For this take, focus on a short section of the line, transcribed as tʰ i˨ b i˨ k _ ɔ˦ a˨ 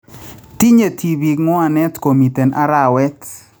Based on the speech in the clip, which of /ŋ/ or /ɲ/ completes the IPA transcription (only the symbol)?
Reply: ŋ